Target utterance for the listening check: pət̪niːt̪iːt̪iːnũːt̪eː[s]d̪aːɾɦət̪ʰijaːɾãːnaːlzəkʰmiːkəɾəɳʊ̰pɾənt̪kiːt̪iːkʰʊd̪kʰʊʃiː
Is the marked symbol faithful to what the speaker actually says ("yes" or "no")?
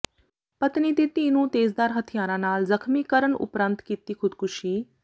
no